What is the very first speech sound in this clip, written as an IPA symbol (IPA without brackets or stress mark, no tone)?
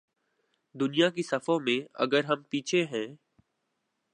d̪